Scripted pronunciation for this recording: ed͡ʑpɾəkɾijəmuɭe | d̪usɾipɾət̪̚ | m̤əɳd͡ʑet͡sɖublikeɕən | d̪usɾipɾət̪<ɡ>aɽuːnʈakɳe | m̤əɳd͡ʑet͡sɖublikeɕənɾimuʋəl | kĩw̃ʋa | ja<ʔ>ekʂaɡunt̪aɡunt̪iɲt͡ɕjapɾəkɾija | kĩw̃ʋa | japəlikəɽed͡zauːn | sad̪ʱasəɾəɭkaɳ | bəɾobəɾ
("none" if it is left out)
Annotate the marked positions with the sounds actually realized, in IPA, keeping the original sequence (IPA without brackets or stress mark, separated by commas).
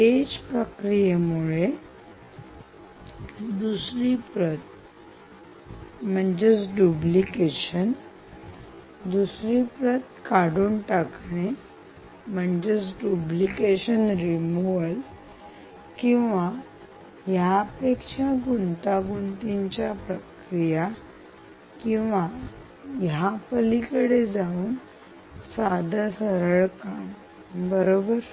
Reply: k, p